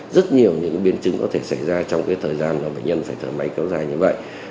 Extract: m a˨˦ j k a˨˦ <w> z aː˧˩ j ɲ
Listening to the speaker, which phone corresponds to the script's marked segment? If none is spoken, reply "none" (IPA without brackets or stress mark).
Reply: w